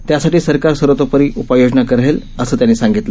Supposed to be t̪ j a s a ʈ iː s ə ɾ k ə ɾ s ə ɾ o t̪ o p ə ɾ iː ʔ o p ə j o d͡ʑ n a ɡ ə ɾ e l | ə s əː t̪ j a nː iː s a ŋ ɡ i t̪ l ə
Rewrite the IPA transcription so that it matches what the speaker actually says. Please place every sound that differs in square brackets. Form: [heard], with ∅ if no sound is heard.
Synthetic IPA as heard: t̪ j a s a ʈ iː s ə ɾ k [a] ɾ s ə ɾ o t̪ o p ə ɾ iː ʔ [u] p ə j o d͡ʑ n a [k] ə ɾ e l | ə s əː t̪ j a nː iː s a ŋ ɡ i t̪ l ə